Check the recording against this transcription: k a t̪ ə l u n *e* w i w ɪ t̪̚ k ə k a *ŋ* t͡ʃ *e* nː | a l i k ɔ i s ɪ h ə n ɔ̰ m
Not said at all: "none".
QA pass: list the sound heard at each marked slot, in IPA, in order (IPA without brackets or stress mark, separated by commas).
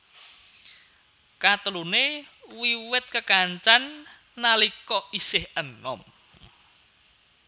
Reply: e, ɲ, a